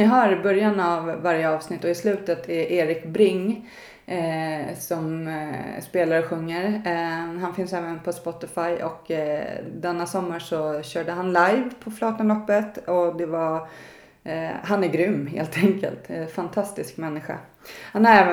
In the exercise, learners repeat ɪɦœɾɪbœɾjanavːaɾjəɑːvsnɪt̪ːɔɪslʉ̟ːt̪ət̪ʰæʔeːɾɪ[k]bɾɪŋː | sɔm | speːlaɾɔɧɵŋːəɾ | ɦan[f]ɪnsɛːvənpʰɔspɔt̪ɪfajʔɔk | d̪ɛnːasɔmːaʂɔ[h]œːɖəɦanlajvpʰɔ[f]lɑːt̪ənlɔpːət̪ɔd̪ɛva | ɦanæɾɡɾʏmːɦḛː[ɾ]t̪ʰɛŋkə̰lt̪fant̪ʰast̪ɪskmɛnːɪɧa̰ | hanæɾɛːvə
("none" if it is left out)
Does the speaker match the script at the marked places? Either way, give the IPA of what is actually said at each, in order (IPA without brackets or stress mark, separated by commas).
k, f, ɕ, f, l